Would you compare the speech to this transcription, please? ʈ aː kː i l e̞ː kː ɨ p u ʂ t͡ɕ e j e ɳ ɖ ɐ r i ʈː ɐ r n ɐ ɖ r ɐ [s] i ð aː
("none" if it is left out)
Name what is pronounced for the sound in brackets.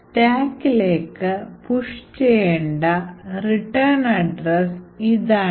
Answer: s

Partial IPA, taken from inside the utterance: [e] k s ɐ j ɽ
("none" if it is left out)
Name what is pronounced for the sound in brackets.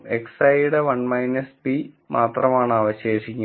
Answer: e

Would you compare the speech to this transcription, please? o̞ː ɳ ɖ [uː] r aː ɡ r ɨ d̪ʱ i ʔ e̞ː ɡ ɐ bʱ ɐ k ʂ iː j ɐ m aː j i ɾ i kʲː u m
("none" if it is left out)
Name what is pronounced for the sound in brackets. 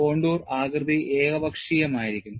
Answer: uː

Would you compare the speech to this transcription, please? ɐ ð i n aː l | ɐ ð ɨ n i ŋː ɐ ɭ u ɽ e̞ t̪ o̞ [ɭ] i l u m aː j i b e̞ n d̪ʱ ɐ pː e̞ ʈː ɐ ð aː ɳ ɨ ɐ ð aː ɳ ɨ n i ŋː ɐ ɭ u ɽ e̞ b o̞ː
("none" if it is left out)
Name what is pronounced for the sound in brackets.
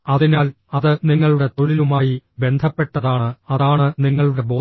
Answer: ɭ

